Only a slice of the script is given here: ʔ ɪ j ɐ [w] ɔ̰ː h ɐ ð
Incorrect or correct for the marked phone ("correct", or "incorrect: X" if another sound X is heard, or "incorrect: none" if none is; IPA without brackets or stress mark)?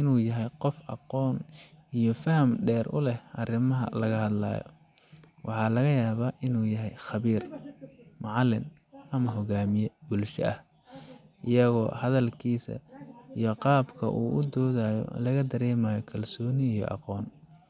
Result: incorrect: ɣ